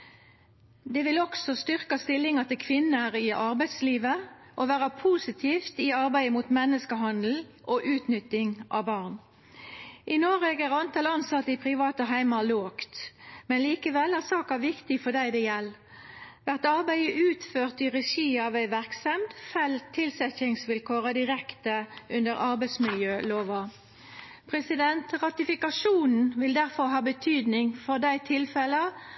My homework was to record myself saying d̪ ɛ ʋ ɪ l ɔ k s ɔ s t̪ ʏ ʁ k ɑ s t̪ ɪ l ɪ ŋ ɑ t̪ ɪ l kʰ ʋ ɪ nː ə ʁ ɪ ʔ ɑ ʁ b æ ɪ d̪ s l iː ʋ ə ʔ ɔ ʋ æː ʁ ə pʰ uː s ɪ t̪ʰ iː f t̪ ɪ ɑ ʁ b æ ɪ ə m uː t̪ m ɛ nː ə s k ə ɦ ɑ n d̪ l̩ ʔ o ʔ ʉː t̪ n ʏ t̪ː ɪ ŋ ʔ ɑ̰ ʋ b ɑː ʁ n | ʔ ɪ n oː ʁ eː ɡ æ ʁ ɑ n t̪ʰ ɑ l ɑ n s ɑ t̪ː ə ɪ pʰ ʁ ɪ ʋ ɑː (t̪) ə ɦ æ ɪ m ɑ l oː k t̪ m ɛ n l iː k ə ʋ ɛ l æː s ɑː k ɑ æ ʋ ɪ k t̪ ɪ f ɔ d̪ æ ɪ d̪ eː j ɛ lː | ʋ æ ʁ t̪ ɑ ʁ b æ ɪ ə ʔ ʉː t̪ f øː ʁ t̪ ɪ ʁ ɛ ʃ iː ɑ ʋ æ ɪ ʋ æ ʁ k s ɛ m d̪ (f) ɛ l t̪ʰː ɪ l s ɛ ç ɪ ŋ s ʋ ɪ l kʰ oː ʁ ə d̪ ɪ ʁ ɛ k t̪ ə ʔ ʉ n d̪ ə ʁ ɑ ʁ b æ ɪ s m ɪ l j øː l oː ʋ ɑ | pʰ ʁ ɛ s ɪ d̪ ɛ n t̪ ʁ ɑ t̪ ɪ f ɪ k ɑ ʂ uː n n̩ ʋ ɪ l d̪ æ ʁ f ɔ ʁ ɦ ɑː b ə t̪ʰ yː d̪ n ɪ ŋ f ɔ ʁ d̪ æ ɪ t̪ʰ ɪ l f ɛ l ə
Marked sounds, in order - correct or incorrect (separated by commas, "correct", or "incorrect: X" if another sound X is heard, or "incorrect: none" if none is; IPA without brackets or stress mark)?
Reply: correct, correct